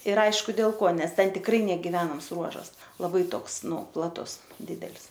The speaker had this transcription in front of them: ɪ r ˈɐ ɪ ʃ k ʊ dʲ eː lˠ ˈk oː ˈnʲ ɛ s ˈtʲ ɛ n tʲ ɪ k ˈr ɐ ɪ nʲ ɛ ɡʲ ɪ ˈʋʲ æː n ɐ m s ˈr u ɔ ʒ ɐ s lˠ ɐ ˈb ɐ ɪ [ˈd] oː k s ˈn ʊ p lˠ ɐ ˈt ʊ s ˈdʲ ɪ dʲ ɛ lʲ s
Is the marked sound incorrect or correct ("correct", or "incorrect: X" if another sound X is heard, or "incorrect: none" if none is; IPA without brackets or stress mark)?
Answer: incorrect: t